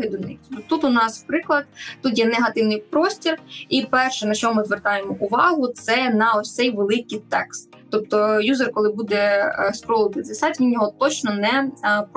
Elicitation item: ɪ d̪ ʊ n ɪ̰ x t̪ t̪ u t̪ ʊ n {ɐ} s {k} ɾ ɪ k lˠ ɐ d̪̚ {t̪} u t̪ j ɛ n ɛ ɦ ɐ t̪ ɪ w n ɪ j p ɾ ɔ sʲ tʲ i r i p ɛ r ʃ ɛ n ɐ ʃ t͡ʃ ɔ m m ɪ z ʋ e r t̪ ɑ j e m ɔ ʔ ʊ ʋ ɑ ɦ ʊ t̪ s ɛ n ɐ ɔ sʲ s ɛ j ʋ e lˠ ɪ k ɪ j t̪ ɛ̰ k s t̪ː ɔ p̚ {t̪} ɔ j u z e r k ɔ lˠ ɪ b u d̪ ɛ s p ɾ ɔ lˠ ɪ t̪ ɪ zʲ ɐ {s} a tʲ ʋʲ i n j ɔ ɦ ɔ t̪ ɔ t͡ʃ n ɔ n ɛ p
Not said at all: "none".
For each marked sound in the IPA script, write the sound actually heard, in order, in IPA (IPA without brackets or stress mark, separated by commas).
ɑ, p, t̪, t̪, s